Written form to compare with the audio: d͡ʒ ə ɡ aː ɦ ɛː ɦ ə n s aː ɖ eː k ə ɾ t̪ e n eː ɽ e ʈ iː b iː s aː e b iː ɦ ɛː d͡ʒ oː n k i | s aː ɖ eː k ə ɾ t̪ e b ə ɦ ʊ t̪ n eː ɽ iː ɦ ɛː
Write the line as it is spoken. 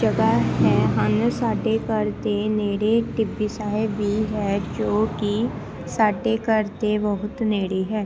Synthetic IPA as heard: d͡ʒ ə ɡ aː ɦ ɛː ɦ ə n s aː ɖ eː k ə ɾ t̪ e n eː ɽ e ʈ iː b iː s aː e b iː ɦ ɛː d͡ʒ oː k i | s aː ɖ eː k ə ɾ t̪ e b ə ɦ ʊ t̪ n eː ɽ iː ɦ ɛː

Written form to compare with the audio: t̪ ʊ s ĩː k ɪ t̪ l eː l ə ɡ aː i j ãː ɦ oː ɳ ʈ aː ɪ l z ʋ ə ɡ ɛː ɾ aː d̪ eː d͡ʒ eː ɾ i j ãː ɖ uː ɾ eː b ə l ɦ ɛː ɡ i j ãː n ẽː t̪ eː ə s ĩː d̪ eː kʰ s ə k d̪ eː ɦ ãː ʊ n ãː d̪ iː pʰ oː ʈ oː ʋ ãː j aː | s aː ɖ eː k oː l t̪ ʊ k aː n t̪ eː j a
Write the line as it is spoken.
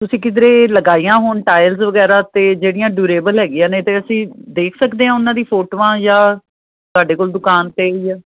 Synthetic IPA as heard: t̪ ʊ s ĩː k ɪ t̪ ɾ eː l ə ɡ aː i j ãː ɦ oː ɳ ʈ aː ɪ l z ʋ ə ɡ ɛː ɾ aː t̪ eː d͡ʒ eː ɽ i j ãː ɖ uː ɾ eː b ə l ɦ ɛː ɡ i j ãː n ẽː t̪ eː ə s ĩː d̪ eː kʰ s ə k d̪ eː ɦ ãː ʊ n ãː d̪ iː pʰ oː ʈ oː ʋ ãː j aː | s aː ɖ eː k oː l d̪ ʊ k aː n t̪ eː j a

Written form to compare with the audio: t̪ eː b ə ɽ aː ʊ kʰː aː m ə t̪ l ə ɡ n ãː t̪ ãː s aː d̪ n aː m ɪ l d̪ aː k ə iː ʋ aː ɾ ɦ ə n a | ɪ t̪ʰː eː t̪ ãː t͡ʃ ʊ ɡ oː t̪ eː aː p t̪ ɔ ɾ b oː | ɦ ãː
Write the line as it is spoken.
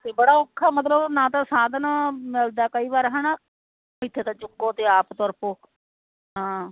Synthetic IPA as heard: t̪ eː b ə ɽ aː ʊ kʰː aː m ə t̪ l ə b n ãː t̪ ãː s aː d̪ n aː m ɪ l d̪ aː k ə iː ʋ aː ɾ ɦ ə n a | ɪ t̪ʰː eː t̪ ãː t͡ʃ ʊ ɡ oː t̪ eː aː p t̪ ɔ ɾ p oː | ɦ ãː

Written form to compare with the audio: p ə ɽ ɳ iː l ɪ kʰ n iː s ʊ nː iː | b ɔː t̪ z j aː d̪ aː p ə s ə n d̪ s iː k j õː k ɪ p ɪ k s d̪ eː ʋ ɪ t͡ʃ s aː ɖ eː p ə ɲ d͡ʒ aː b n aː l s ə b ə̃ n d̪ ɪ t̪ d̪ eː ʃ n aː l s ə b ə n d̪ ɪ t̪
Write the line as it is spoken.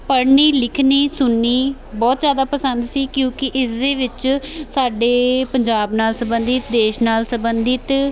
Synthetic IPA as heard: p ə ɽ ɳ iː l ɪ kʰ n iː s ʊ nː iː | b ɔː t̪ z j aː d̪ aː p ə s ə n d̪ s iː k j õː k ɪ ʔ ɪ s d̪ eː ʋ ɪ t͡ʃ s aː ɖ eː p ə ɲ d͡ʒ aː b n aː l s ə b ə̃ n d̪ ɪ t̪ d̪ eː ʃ n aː l s ə b ə n d̪ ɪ t̪

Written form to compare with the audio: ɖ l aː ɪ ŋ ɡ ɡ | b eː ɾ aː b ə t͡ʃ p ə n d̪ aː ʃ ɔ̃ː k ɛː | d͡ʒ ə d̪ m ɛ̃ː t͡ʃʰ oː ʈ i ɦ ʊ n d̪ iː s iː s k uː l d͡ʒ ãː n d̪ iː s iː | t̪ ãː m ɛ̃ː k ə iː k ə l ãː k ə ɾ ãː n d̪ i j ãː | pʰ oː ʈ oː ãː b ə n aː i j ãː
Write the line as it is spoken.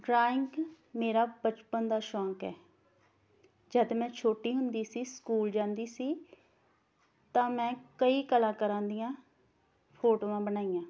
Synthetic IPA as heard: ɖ ɾ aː ɪ ŋ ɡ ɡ | m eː ɾ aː b ə t͡ʃ p ə n d̪ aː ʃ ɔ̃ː k ɛː | d͡ʒ ə d̪ m ɛ̃ː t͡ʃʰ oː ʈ iː ɦ ʊ n d̪ iː s iː s k uː l d͡ʒ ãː n d̪ iː s iː | t̪ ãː m ɛ̃ː k ə iː k ə l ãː k ə ɾ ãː n d̪ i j ãː | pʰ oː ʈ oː ãː b ə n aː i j ãː

